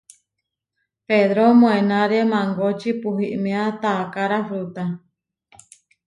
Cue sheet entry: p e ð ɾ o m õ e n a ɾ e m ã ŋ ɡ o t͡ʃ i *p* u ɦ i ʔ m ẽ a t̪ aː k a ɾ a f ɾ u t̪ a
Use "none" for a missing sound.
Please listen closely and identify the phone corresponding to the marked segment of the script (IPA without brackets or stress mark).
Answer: p